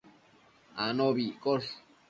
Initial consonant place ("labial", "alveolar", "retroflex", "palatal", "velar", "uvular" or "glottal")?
alveolar